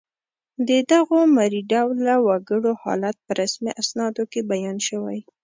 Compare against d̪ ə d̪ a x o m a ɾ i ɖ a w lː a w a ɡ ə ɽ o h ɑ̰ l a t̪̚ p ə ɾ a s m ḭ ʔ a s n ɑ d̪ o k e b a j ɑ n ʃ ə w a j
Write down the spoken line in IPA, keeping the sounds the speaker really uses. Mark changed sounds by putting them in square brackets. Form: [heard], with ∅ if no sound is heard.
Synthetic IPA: d̪ ə d̪ a [ɣ] o m a ɾ i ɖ a w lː a w a ɡ ə ɽ o h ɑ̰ l a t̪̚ p ə ɾ a s m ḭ ʔ a s n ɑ d̪ o k e b a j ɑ n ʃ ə w a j